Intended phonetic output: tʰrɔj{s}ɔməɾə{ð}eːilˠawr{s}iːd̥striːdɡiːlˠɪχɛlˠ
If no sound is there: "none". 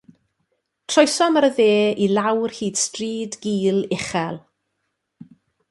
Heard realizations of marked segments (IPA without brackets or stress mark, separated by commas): s, ð, h